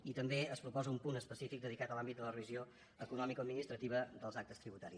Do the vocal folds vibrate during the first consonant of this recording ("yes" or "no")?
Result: no